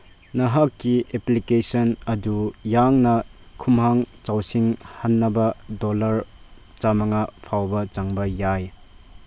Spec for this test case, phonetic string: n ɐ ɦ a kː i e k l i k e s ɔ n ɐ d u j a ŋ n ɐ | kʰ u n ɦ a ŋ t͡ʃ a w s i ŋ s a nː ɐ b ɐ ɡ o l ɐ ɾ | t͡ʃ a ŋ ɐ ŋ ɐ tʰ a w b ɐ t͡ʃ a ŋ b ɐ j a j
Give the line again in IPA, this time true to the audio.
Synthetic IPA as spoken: n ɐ ɦ a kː i e p l i k e s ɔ n ɐ d u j a ŋ n ɐ | kʰ u m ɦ a ŋ t͡ʃ a w s i ŋ h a nː ɐ b ɐ d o l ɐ ɾ | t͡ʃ a m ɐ ŋ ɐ pʰ a w b ɐ t͡ʃ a ŋ b ɐ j a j